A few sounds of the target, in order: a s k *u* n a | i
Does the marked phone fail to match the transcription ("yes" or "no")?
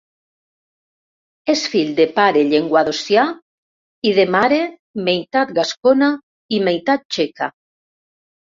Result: yes